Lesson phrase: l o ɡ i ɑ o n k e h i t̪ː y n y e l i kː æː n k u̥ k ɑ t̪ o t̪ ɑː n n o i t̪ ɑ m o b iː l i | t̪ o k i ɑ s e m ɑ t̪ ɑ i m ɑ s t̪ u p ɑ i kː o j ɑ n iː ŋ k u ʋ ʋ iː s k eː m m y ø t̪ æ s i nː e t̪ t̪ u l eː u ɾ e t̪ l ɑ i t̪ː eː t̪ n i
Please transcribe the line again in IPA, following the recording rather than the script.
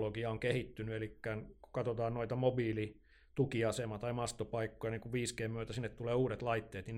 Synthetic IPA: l o ɡ i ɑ o ŋ k e h i t̪ː y n y e l i kː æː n k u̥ k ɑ t̪ o t̪ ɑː n n o i t̪ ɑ m o b iː l i | t̪ u k i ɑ s e m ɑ t̪ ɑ i m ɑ s t̪ o p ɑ i kː o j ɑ n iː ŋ k u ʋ ʋ iː s k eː m m y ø t̪ æ s i nː e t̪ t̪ u l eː uː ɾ e t̪ l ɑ i t̪ː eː t̪ n i